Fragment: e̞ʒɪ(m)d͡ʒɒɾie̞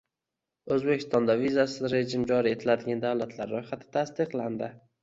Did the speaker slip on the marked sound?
no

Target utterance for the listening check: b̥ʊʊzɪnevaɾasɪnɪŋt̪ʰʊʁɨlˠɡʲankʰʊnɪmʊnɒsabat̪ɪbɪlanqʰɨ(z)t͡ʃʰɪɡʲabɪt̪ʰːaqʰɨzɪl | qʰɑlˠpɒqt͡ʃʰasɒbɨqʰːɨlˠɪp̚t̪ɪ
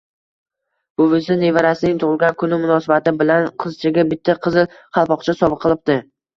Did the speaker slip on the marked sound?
no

